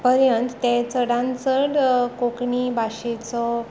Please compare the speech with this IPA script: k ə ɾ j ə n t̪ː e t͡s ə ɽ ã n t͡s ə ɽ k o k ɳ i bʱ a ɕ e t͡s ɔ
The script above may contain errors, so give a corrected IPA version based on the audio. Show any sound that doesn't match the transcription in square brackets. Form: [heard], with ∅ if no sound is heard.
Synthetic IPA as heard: [p] ə ɾ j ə n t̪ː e t͡s ə ɽ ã n t͡s ə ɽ k o k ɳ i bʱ a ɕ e t͡s ɔ